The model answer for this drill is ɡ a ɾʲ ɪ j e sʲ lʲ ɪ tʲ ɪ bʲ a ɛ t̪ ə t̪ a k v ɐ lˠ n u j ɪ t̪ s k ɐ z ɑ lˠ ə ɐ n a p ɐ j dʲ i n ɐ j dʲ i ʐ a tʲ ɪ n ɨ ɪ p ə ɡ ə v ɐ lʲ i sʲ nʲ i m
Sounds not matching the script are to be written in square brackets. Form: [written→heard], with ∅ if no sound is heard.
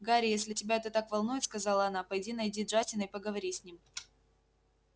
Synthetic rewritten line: ɡ a ɾʲ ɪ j e sʲ lʲ ɪ tʲ ɪ bʲ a ɛ t̪ ə t̪ a k v ɐ lˠ n u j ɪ t̪ s k ɐ z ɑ lˠ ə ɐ n a p ɐ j dʲ i n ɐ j dʲ i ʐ a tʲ ɪ n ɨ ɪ p ə ɡ ə v ɐ [lʲ→ɾʲ] i sʲ nʲ i m